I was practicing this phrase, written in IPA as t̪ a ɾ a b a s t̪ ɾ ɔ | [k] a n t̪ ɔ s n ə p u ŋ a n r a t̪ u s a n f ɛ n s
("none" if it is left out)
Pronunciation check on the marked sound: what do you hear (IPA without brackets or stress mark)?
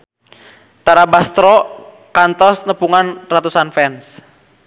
k